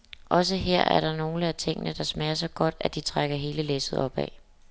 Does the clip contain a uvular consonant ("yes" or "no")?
yes